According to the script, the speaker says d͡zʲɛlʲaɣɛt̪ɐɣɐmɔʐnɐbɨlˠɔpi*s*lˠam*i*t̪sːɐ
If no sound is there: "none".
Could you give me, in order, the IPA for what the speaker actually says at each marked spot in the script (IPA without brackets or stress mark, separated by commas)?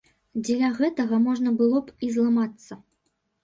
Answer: z, a